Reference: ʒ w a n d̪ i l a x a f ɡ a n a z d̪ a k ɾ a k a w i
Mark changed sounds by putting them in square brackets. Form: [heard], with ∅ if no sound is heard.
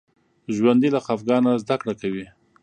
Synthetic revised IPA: ʒ w a n d̪ i l a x a f ɡ [ɑ] n a z d̪ a k [ɽ] a k a w i